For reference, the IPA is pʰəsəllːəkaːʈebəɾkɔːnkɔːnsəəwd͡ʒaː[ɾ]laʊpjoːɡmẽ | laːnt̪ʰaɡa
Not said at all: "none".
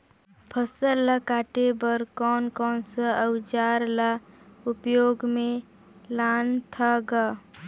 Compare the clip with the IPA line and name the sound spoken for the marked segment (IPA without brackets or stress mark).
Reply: ɾ